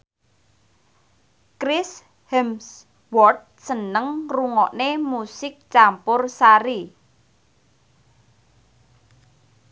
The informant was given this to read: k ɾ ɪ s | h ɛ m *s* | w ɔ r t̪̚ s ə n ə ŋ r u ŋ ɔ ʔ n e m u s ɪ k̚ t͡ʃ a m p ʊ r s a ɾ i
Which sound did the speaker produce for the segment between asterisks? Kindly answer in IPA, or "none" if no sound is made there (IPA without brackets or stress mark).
s